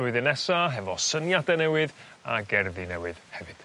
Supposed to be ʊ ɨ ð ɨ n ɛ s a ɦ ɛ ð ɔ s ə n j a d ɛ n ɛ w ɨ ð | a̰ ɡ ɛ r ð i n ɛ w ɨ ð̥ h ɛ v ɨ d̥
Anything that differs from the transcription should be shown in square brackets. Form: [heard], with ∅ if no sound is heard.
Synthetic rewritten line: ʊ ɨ ð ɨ n ɛ s a ɦ ɛ [v] ɔ s ə n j a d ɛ n ɛ w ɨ ð | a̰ ɡ ɛ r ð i n ɛ w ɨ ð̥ h ɛ v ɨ d̥